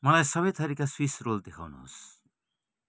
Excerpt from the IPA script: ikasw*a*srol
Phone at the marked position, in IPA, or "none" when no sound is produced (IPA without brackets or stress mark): i